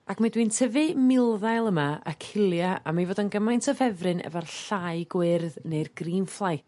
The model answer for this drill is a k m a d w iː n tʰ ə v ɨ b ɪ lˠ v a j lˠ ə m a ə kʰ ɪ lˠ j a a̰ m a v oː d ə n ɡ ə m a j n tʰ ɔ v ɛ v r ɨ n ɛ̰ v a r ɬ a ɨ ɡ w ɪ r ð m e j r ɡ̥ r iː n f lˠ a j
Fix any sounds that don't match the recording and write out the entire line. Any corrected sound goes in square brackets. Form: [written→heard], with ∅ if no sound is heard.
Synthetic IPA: a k m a d w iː n tʰ ə v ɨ [b→m] ɪ lˠ [v→ð] a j lˠ ə m a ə kʰ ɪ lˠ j a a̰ m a v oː d ə n ɡ ə m a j n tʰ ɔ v ɛ v r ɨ n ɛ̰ v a r ɬ a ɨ ɡ w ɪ r ð [m→n] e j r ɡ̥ r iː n f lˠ a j